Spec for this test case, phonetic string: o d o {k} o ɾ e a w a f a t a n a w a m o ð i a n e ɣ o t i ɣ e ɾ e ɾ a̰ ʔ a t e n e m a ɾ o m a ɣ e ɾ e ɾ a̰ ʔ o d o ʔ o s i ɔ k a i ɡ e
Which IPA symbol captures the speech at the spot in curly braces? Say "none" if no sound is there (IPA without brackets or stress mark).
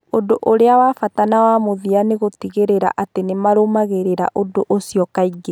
ʔ